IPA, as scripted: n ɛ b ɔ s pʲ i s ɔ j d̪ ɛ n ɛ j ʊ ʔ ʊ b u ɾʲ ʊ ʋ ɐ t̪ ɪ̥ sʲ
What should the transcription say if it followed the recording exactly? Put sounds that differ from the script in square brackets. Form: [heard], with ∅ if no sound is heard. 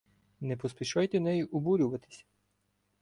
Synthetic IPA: n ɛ [p] ɔ s pʲ i [ʃ] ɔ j [t̪] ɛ n ɛ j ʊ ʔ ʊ b u ɾʲ ʊ ʋ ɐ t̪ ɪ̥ sʲ